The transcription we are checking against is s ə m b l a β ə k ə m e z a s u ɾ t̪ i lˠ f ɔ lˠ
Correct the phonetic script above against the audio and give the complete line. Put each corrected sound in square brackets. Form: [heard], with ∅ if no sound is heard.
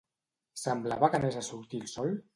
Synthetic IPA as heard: s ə m b l a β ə k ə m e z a s u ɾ t̪ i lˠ [s] ɔ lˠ